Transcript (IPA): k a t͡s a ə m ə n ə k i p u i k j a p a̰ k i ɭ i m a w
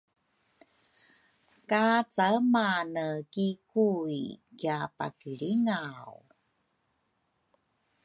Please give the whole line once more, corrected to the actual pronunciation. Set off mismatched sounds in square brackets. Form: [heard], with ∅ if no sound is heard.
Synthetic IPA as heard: k a t͡s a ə m [a] n ə k i [k] u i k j a p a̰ k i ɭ i [ŋ] a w